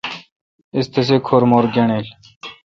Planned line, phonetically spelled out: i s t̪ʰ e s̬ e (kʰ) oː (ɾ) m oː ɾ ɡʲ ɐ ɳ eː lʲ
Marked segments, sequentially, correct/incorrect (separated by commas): correct, correct